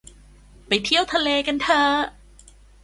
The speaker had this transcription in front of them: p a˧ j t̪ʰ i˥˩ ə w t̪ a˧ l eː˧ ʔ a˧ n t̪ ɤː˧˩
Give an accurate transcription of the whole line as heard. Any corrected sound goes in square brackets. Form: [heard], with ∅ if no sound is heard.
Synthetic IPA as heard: p [a˨˩] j t̪ʰ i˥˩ ə w [t̪ʰ] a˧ l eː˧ [k] a˧ n [t̪ʰ] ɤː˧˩